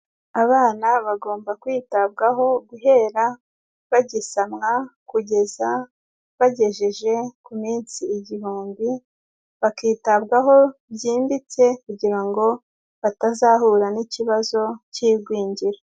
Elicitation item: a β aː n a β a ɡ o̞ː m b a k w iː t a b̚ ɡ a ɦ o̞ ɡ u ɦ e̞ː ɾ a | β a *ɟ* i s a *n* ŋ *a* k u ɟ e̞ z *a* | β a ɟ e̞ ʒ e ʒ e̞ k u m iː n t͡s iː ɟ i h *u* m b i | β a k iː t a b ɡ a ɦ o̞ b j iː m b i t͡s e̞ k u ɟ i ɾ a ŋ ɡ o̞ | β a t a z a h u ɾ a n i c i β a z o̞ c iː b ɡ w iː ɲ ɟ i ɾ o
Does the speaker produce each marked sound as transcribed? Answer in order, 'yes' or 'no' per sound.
yes, no, yes, yes, no

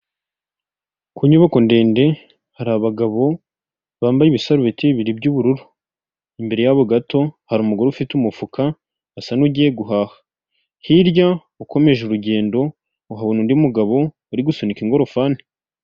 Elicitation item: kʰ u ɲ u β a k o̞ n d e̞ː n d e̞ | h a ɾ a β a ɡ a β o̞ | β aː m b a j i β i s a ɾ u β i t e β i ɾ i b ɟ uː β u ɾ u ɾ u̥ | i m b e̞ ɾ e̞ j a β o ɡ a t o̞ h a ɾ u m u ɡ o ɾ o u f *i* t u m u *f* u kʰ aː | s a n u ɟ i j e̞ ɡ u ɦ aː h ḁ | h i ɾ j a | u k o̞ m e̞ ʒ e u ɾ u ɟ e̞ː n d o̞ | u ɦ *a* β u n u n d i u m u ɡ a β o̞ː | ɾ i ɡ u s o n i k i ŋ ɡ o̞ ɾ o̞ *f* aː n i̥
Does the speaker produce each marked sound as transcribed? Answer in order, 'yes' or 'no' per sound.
yes, yes, yes, yes

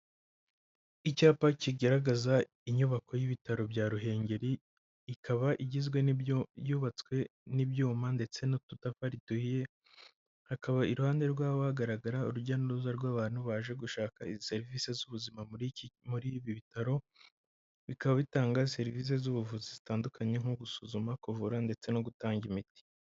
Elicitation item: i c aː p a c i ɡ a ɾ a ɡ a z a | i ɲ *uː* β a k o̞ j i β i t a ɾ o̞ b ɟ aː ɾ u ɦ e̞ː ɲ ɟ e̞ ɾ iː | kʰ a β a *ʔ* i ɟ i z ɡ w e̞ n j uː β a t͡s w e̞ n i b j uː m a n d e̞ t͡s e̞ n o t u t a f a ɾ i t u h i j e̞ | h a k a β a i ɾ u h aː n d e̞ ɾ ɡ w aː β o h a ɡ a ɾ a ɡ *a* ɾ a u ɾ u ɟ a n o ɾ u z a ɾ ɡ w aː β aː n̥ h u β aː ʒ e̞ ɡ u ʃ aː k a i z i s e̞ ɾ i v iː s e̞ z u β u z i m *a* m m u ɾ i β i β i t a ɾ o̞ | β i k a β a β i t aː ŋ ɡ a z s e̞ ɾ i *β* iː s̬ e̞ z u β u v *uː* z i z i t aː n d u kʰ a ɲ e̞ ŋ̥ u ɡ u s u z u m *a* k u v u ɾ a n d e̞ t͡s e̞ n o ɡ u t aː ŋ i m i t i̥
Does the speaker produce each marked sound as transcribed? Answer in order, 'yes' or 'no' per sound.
no, yes, yes, yes, no, no, yes

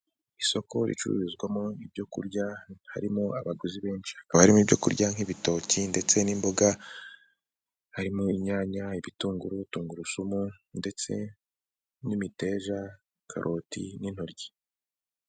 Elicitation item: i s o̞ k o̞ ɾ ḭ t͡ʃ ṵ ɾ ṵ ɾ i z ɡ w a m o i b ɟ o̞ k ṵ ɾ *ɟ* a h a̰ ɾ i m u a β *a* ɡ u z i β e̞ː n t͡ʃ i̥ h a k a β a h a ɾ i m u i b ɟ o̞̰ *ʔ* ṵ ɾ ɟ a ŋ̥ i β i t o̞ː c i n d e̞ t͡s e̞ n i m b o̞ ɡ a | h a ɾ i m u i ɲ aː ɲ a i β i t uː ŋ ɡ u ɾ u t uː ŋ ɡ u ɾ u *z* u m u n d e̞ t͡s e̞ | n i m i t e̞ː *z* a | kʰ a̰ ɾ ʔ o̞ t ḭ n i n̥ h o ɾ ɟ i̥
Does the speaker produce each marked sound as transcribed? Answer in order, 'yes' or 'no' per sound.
yes, yes, no, no, no

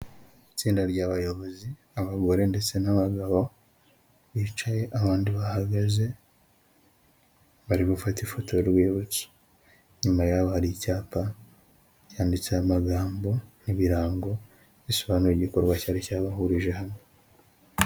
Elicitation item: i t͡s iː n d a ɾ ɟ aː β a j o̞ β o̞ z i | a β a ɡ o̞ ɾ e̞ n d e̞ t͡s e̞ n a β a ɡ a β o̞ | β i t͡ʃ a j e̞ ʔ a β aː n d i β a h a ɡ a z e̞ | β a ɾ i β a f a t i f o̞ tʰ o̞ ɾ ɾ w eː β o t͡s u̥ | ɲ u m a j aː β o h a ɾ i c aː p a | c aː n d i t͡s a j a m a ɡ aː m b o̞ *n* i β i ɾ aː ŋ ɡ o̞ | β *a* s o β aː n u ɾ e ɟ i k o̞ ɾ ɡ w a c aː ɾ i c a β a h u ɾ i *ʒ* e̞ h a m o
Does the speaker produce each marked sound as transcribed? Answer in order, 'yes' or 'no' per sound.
yes, no, yes

